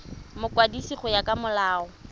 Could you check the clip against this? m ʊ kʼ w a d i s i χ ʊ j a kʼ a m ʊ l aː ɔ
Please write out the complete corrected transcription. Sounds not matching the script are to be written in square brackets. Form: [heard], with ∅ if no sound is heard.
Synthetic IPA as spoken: m ʊ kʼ w a d i s i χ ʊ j a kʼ a m ʊ l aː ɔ